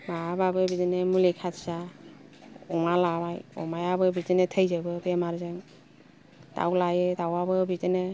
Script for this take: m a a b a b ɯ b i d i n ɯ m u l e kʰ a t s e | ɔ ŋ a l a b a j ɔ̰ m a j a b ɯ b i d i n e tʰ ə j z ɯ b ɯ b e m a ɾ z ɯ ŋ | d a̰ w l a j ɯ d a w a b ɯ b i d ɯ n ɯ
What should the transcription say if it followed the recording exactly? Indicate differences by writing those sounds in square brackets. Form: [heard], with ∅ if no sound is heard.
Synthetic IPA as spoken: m a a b a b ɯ b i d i n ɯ m u l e kʰ a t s [a] | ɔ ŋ a l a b a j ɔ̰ m a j a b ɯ b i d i n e tʰ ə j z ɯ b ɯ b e m a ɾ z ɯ ŋ | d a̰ w l a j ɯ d a w a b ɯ b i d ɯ n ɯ